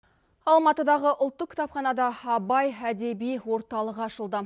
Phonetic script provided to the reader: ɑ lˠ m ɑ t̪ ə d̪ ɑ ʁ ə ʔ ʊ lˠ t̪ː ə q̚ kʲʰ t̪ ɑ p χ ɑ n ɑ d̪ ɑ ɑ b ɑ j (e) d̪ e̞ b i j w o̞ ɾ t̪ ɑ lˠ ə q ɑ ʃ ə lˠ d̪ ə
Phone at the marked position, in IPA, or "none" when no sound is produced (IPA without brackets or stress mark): æ